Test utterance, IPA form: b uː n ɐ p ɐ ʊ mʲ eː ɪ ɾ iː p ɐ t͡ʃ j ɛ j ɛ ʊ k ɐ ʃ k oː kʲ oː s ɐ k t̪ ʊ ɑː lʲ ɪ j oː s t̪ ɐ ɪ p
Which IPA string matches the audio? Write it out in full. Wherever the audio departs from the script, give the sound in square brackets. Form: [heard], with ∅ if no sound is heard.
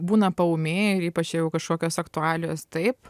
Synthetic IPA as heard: b uː n ɐ p ɐ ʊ mʲ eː ɪ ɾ iː p ɐ t͡ʃ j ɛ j ɛ ʊ k ɐ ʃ k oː kʲ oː s ɐ k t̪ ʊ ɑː lʲ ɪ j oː s t̪ ɐ ɪ p